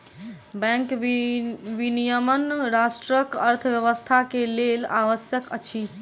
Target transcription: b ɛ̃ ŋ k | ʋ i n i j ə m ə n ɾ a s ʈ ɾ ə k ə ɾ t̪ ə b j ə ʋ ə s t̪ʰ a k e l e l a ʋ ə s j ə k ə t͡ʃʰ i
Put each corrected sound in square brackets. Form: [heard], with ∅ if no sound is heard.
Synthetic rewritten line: b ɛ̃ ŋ k | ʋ i n i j ə m ə n ɾ a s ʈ ɾ ə k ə ɾ [t̪ʰ] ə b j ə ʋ ə s t̪ʰ a k e l e l a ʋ ə s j ə k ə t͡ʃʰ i